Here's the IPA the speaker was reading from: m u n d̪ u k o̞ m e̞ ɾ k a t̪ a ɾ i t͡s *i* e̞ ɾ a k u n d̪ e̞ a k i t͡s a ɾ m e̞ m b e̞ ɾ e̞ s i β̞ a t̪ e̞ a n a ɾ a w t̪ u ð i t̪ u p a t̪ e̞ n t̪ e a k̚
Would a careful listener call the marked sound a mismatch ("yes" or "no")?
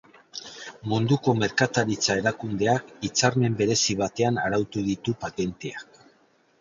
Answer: yes